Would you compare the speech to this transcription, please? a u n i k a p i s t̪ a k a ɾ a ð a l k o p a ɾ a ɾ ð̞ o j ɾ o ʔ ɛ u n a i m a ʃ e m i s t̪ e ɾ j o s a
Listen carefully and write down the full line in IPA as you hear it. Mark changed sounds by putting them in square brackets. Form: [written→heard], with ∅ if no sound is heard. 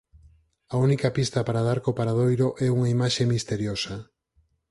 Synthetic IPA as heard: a u n i k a p i s t̪ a [k→p] a ɾ a ð a [l→ɾ] k o p a ɾ a [ɾ→∅] ð̞ o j ɾ o ʔ ɛ u [n→ŋ] a i m a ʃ e m i s t̪ e ɾ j o s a